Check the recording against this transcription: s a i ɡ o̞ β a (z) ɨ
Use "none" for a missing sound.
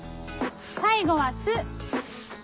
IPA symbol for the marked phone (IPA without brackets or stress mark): s